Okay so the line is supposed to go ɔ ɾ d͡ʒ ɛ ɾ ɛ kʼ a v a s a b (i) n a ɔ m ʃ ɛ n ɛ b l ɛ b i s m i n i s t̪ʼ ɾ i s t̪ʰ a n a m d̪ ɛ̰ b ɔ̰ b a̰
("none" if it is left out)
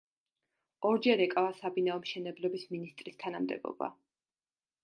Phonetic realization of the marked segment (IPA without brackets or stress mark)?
i